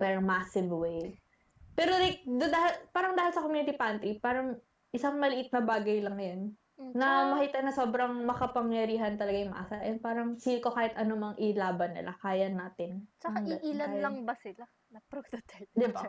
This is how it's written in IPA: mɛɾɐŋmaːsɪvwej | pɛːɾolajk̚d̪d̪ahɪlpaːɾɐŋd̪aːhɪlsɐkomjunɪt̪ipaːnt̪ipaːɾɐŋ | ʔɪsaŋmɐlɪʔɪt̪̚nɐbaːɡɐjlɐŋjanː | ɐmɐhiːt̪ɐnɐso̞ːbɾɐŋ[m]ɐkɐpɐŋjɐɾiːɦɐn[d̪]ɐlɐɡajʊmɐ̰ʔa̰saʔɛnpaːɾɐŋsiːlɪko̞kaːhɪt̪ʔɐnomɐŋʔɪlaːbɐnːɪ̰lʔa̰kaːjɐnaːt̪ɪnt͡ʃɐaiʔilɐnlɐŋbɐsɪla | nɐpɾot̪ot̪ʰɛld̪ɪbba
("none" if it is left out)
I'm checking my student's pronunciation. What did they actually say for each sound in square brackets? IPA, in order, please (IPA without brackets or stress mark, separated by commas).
m, t̪